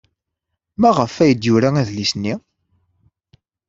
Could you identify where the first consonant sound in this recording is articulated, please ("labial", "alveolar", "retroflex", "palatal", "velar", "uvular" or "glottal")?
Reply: labial